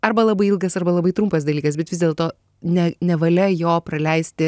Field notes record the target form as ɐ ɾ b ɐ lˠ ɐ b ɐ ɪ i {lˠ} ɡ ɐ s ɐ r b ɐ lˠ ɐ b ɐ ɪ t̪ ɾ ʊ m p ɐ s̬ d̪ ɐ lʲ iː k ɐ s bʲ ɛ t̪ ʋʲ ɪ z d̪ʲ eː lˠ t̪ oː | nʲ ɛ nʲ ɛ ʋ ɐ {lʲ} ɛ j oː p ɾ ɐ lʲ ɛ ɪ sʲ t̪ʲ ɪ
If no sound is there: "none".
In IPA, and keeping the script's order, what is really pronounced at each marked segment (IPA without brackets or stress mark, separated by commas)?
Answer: lˠ, lʲ